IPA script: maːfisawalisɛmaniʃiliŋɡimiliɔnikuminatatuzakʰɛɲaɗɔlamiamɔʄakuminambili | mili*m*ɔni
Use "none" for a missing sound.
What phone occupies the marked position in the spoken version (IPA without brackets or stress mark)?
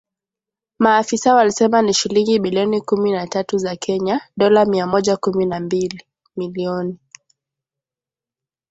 none